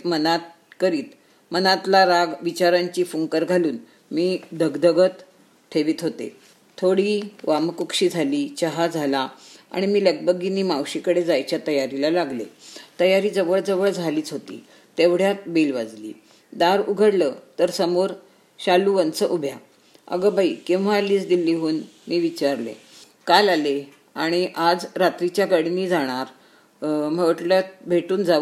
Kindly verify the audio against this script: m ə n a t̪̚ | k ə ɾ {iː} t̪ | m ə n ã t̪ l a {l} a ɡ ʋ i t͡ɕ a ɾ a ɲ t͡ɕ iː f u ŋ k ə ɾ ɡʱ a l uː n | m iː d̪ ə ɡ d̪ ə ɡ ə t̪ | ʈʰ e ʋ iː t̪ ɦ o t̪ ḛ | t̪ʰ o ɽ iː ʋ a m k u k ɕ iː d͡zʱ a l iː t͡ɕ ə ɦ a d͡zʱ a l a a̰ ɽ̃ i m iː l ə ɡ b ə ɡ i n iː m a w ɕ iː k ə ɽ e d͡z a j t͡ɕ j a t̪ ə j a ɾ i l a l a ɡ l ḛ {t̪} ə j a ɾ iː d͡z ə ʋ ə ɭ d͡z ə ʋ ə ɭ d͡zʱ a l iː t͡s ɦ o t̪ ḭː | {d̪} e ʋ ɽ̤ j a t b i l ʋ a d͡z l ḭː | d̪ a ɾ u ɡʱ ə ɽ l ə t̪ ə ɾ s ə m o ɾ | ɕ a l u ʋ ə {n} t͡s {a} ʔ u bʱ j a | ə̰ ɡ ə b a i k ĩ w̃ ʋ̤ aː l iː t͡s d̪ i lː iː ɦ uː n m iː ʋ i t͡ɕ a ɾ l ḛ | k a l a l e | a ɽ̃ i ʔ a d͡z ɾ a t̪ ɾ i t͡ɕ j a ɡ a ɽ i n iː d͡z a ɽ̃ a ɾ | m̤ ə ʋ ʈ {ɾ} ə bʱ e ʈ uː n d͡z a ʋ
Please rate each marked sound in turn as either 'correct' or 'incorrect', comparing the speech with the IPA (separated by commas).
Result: correct, incorrect, correct, incorrect, correct, incorrect, incorrect